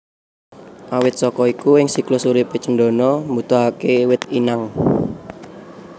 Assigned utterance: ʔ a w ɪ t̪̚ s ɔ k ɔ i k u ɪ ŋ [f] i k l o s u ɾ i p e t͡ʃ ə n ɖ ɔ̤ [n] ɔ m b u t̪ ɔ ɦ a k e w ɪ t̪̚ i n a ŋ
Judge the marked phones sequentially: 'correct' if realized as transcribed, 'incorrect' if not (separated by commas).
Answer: incorrect, correct